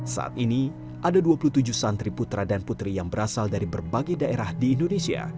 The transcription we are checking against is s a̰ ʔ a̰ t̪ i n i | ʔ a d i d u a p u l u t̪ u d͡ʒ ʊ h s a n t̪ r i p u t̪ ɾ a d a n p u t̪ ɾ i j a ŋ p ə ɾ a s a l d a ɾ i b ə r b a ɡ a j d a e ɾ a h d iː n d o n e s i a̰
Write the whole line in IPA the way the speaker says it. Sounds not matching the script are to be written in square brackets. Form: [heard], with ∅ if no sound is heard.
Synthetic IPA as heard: s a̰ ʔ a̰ t̪ i n i | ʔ a d [a] d u a p u l u t̪ u d͡ʒ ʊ h s a n t̪ [ɾ] i p u t̪ ɾ a d a n p u t̪ ɾ i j a ŋ [b] ə ɾ a s a l d a ɾ i b ə r b a ɡ a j d a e ɾ a h d iː n d o n e s i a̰

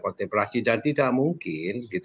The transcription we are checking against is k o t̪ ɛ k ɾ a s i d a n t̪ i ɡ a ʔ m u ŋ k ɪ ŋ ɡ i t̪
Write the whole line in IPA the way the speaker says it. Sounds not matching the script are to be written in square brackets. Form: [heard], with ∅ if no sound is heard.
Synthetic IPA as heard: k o t̪ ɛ [p] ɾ a s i d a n t̪ i [d] a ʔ m u ŋ k ɪ [n] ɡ i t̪

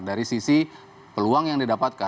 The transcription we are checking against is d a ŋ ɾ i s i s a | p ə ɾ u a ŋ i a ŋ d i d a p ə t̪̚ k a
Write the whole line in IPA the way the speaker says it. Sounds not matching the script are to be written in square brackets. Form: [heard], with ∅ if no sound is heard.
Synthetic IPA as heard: d a [∅] ɾ i s i s [i] | p ə [l] u a ŋ [j] a ŋ d i d a p [a] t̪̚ k a

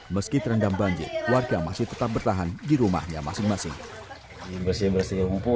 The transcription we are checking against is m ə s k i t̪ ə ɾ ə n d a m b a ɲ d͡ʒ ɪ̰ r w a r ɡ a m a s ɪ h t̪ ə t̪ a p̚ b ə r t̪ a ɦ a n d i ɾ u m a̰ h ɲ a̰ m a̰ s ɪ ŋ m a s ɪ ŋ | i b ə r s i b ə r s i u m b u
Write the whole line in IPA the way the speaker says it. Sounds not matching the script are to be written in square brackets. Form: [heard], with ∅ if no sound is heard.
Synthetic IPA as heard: m ə s k i t̪ ə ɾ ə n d a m b a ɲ d͡ʒ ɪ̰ r w a r ɡ a m a s ɪ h t̪ ə t̪ a p̚ b ə r t̪ a ɦ a n d i ɾ u m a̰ h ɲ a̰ m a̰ s ɪ ŋ m a s ɪ ŋ | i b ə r s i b ə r s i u m [p] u

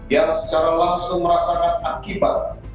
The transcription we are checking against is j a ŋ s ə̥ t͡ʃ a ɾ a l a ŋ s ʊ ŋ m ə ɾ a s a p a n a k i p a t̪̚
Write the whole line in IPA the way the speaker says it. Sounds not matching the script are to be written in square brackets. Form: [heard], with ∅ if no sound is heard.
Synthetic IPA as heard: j a ŋ s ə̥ t͡ʃ a ɾ a l a ŋ s ʊ ŋ m ə ɾ a s a [k] a n a k i [b] a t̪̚

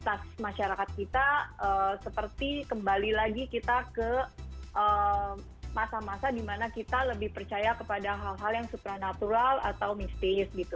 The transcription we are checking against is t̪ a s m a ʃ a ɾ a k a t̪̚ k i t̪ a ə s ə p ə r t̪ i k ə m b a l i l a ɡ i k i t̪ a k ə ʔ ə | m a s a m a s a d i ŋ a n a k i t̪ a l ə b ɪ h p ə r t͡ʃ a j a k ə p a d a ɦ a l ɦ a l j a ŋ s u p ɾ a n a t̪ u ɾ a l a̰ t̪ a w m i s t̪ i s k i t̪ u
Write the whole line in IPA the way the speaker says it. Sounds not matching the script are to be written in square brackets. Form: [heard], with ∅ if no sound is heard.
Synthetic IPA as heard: t̪ a s m a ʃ a ɾ a k a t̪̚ k i t̪ a ə s ə p ə r t̪ i k ə m b a l i l a ɡ i k i t̪ a k ə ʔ ə | m a s a m a s a d i [m] a n a k i t̪ a l ə b ɪ h p ə r t͡ʃ a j a k ə p a d a ɦ a l ɦ a l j a ŋ s u p ɾ a n a t̪ u ɾ a l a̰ t̪ a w m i s t̪ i s [ɡ] i t̪ u

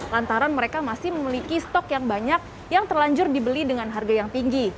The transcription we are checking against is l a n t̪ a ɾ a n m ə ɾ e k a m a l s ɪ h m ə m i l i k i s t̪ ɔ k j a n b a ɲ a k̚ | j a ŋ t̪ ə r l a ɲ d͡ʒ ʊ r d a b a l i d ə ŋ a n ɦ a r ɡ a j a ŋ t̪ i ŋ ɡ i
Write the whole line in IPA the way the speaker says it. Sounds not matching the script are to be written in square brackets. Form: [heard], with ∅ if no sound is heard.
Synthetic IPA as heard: l a n t̪ a ɾ a n m ə ɾ e k a m a [∅] s ɪ h m ə m i l i k i s t̪ ɔ k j a [ŋ] b a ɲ a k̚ | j a ŋ t̪ ə r l a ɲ d͡ʒ ʊ r d [i] b [ə] l i d ə ŋ a n ɦ a r ɡ a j a ŋ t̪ i ŋ ɡ i

